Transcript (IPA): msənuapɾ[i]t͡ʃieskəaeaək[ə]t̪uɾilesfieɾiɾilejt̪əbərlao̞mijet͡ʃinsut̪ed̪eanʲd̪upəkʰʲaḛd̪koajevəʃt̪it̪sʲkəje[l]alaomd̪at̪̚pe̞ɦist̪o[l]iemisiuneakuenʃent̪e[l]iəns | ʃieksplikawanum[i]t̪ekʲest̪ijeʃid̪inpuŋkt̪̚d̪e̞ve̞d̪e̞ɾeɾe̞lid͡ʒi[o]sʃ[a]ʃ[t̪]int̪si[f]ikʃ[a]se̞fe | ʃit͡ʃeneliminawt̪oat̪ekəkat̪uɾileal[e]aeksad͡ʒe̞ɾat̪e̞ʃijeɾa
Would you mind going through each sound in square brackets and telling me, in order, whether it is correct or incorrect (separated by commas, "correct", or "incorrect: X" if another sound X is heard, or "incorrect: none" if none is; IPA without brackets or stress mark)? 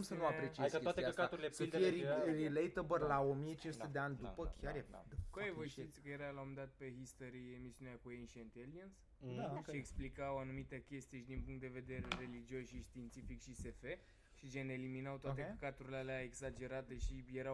incorrect: e, incorrect: a, incorrect: ɾ, incorrect: ɾ, correct, correct, correct, incorrect: i, correct, correct, incorrect: i, correct